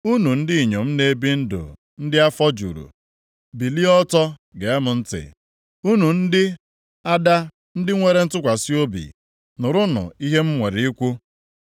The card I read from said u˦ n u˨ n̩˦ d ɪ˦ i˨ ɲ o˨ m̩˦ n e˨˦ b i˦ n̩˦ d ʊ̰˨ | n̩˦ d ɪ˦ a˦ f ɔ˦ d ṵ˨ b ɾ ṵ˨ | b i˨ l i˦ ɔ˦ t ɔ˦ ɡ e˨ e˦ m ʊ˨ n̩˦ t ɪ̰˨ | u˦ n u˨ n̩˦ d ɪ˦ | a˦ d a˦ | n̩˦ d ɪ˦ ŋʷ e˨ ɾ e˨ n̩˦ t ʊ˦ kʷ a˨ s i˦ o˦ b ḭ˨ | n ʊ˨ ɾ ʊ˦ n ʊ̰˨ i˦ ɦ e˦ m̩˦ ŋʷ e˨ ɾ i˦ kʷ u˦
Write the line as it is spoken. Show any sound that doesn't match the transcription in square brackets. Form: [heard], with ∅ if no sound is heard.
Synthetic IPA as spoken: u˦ n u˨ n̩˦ d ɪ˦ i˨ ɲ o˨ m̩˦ n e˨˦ b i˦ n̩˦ d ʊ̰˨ | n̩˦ d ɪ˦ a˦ f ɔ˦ [d͡ʒ] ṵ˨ [∅] ɾ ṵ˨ | b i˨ l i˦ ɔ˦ t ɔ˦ ɡ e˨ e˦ m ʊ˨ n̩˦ t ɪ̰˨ | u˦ n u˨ n̩˦ d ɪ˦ | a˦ d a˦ | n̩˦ d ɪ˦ ŋʷ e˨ ɾ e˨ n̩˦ t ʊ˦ kʷ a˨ s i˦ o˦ b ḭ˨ | n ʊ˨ ɾ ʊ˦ n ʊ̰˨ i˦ ɦ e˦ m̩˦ ŋʷ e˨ ɾ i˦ kʷ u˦